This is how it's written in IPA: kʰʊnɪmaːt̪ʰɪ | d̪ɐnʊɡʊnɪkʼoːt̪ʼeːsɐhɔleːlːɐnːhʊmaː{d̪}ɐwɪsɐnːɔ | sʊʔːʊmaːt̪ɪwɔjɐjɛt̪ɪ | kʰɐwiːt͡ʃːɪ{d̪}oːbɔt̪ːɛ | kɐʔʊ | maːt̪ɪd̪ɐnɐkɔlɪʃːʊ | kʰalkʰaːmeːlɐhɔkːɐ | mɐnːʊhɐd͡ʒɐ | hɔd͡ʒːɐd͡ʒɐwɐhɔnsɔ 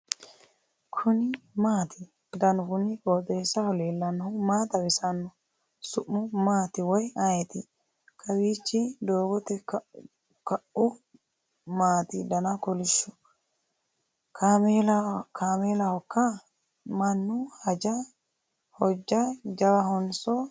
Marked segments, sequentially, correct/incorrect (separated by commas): incorrect, correct